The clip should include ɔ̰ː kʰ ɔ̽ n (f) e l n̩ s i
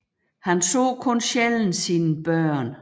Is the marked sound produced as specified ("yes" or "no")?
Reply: no